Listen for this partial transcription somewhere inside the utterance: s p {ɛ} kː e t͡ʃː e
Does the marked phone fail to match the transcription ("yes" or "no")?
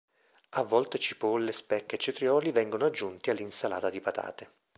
no